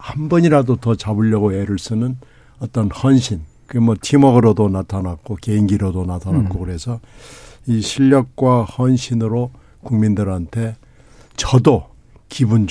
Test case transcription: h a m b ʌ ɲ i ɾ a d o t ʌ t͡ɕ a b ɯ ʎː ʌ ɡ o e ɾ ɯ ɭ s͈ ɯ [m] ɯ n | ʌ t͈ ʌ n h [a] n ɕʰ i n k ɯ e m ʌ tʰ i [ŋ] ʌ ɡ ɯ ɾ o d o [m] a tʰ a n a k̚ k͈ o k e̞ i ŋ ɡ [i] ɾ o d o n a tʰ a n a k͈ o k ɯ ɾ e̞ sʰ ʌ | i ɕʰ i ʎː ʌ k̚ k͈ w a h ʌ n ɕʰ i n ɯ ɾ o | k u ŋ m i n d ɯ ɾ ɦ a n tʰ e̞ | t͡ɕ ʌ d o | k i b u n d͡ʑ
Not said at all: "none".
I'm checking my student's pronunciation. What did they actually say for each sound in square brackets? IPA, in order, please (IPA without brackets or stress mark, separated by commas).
n, ʌ, m, n, i